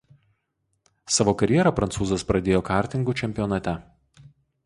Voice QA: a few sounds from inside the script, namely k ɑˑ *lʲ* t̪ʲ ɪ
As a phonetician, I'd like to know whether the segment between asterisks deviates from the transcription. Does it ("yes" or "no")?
yes